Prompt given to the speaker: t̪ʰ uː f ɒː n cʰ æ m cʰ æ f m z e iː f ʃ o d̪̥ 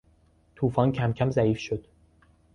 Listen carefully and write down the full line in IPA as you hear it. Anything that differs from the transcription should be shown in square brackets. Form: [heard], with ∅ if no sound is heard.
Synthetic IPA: t̪ʰ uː f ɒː n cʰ æ m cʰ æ [∅] m z [æ] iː f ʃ o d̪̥